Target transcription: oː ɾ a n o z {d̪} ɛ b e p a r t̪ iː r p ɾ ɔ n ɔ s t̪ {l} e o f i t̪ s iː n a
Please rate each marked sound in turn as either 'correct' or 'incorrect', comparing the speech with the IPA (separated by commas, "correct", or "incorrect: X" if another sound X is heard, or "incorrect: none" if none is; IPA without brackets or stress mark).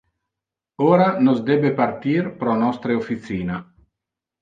correct, incorrect: ɾ